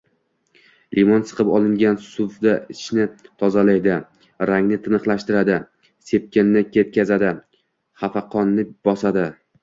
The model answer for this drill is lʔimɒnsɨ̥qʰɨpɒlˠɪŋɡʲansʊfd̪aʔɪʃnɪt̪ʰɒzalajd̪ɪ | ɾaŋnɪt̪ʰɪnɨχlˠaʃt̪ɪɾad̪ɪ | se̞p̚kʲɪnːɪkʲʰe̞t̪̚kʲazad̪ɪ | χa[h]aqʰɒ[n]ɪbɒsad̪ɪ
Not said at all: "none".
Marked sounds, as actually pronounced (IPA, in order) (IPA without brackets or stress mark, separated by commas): f, nː